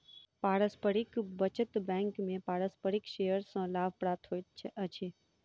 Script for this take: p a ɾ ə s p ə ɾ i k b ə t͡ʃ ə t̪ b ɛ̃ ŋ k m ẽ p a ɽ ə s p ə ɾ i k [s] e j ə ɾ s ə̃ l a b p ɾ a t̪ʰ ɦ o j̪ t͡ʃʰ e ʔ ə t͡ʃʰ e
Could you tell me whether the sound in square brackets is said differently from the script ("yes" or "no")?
yes